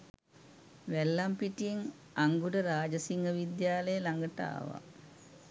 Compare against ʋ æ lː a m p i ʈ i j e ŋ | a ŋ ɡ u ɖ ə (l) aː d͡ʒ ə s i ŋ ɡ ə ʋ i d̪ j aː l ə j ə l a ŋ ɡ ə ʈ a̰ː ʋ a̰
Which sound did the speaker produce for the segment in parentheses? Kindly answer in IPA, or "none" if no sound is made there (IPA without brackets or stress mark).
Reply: ɾ